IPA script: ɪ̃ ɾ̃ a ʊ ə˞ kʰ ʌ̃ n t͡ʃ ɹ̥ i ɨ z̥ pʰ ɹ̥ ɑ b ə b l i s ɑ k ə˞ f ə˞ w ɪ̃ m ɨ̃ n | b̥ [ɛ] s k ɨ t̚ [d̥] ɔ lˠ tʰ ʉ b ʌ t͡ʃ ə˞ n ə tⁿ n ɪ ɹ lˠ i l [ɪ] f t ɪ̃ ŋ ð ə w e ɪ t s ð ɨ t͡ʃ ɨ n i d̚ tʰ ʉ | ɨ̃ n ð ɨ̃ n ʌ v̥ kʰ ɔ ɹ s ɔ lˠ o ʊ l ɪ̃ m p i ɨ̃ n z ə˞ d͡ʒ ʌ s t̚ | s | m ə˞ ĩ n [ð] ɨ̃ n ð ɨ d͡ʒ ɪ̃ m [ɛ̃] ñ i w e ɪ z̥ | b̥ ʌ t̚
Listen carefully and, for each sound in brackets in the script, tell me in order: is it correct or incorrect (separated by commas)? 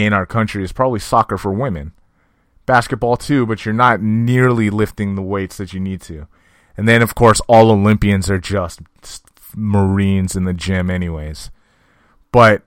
incorrect, incorrect, correct, incorrect, incorrect